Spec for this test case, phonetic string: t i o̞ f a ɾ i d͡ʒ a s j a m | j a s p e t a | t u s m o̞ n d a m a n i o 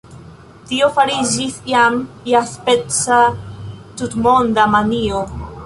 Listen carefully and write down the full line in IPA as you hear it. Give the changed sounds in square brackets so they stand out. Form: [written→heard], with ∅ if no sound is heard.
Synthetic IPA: t i o̞ f a ɾ i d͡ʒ [a→i] s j a m | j a s p e [t→t͡s] a | t u [s→t] m o̞ n d a m a n i o